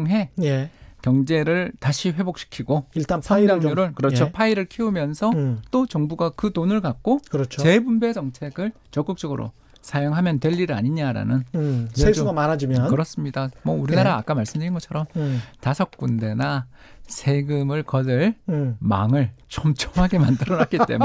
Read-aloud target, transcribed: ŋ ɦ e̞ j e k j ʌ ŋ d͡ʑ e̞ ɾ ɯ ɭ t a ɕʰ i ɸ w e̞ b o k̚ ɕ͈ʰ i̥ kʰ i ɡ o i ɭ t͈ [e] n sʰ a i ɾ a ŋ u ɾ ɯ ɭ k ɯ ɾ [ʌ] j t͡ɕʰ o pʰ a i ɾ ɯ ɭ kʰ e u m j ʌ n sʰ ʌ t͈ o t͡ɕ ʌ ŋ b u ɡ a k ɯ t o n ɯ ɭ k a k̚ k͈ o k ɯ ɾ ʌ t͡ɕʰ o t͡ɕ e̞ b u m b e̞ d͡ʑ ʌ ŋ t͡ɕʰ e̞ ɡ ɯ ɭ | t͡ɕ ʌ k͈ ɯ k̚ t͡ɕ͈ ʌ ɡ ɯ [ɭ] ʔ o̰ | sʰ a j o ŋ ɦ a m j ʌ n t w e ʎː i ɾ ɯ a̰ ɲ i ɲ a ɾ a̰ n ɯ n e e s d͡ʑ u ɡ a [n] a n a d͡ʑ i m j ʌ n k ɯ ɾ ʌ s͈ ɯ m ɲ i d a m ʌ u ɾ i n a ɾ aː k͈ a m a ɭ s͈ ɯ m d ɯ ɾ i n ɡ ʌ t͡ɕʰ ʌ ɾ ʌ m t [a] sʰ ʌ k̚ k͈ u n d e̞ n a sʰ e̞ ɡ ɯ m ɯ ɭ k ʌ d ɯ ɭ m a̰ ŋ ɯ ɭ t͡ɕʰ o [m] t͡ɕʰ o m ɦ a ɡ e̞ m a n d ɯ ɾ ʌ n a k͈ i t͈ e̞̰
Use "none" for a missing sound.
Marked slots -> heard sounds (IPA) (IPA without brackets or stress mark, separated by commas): a, ʌ, ɾ, m, a, m